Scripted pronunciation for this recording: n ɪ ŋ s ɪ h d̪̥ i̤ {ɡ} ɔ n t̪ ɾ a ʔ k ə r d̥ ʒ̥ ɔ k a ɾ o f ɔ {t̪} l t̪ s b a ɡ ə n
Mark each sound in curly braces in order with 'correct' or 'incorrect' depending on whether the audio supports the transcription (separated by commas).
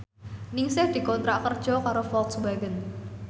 incorrect, incorrect